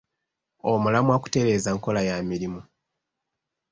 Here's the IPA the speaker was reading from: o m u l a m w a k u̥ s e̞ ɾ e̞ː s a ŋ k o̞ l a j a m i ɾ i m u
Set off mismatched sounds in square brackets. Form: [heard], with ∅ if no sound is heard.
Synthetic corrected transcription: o m u l a m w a k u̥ [t] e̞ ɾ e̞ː [z] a ŋ k o̞ l a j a m i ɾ i m u